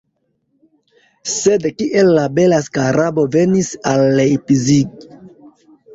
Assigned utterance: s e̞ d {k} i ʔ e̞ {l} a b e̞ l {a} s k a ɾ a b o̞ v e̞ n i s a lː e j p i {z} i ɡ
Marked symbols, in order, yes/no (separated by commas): yes, no, yes, yes